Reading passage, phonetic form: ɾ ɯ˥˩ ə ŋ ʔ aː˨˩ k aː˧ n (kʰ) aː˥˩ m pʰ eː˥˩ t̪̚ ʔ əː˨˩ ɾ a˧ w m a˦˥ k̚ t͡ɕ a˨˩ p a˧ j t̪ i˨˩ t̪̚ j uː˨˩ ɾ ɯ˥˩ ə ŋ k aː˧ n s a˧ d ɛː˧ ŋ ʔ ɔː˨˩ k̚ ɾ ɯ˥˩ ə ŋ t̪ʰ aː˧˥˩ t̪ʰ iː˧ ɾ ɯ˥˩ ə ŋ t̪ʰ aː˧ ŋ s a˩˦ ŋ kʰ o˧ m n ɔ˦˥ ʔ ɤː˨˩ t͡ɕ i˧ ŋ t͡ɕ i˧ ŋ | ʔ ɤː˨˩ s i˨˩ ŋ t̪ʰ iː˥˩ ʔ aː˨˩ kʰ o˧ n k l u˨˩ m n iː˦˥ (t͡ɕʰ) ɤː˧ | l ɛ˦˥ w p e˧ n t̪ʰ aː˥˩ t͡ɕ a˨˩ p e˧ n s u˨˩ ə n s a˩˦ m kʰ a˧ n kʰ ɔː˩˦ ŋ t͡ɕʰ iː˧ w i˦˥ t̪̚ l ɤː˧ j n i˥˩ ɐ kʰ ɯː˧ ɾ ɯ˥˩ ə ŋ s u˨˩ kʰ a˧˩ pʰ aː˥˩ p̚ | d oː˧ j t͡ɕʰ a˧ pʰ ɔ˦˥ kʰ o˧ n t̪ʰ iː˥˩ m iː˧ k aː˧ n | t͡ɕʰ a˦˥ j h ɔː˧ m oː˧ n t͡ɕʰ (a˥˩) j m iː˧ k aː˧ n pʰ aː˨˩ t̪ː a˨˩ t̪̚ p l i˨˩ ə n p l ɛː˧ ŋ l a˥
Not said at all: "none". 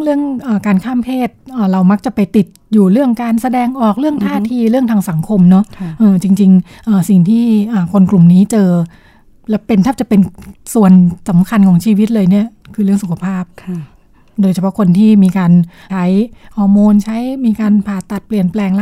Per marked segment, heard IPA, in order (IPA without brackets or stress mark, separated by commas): kʰ, t͡ɕ, a˦˥